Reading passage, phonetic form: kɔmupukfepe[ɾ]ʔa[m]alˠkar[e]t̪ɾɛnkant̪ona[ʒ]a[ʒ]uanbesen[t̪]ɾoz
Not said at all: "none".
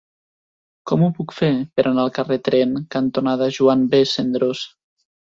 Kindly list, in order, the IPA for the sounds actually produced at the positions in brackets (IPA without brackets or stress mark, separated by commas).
ɾ, n, e, ð, ʒ, d̪